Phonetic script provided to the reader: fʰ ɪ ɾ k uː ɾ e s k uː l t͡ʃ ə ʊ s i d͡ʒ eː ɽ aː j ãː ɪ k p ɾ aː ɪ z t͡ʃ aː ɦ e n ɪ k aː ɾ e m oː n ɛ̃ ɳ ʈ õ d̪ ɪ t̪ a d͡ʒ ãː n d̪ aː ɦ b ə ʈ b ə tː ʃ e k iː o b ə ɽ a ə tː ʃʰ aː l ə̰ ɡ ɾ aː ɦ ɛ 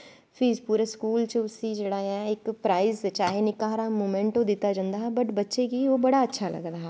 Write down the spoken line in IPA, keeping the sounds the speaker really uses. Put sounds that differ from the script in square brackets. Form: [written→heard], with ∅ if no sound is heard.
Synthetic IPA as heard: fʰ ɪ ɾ [k→p] uː ɾ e s k uː l t͡ʃ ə ʊ s i d͡ʒ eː ɽ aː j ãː ɪ k p ɾ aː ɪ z t͡ʃ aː ɦ e n ɪ k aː ɾ [e→a] m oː [n→m] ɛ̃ ɳ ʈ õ d̪ ɪ t̪ a d͡ʒ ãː n d̪ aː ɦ b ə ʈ b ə tː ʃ e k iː o b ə ɽ a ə tː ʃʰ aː l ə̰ ɡ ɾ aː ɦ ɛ